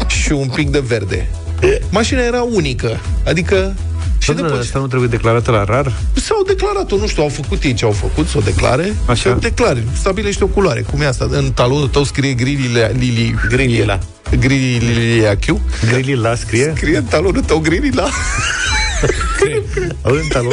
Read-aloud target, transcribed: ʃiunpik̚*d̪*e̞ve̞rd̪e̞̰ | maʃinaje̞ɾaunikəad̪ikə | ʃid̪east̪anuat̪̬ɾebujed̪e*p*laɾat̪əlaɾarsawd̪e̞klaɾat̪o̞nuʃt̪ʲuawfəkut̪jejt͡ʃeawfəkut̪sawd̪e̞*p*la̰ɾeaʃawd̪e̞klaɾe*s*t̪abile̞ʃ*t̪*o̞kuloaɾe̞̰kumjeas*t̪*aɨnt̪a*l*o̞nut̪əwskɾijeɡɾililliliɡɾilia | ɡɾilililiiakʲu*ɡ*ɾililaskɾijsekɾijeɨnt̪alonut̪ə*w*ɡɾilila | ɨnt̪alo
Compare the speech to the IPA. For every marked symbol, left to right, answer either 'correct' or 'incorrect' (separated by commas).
correct, incorrect, incorrect, correct, correct, correct, correct, correct, correct